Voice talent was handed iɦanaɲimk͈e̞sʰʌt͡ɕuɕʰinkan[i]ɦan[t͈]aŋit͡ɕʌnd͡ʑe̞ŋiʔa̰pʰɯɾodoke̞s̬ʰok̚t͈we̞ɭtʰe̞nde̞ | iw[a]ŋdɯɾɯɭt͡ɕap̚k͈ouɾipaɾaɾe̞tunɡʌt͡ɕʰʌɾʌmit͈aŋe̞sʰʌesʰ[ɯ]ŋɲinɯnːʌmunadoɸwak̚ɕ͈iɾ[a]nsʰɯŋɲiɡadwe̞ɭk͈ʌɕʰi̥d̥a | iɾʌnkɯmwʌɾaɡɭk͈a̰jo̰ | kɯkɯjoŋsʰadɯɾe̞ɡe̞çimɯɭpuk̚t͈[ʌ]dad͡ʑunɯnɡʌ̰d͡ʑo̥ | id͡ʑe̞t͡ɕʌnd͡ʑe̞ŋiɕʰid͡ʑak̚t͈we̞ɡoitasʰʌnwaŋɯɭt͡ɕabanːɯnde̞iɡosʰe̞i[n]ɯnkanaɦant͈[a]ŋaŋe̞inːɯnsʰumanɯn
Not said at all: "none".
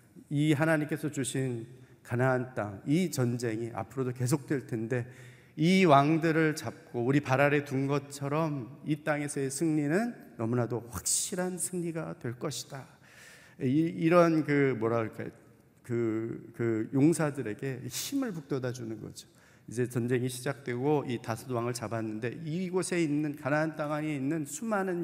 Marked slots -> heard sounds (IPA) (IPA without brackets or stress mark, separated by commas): a, t͈, a, ɯ, a, ʌ, nː, a